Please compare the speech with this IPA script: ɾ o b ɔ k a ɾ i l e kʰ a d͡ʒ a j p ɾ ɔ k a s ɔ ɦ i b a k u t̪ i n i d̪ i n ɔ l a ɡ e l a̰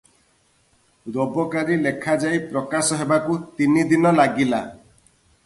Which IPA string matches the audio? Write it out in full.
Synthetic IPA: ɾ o b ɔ k a ɾ i l e kʰ a d͡ʒ a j p ɾ ɔ k a s ɔ ɦ e b a k u t̪ i n i d̪ i n ɔ l a ɡ i l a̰